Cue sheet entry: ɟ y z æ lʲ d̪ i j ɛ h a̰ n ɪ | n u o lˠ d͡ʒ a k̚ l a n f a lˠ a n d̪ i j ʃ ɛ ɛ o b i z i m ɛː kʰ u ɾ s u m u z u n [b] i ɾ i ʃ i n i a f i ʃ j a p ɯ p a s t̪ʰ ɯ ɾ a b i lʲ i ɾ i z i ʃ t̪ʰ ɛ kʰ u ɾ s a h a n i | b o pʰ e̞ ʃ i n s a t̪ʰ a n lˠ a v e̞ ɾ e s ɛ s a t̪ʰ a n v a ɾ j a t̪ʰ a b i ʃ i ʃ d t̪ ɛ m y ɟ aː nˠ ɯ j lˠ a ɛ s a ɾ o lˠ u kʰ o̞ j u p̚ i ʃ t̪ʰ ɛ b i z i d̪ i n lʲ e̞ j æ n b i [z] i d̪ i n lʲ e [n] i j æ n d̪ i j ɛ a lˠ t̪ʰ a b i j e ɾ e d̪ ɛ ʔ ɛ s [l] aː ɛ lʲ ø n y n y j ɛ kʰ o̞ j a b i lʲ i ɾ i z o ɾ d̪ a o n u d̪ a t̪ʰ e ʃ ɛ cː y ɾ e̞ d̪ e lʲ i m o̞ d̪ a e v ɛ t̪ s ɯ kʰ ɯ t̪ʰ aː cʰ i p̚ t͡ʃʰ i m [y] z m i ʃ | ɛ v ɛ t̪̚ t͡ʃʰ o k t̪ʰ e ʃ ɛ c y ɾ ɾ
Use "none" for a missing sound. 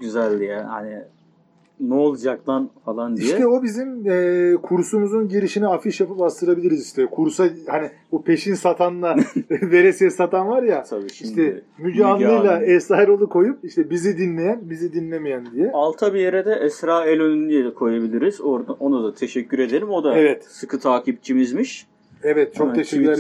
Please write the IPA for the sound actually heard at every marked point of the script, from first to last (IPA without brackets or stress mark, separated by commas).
ɟ, z, m, ɾ, i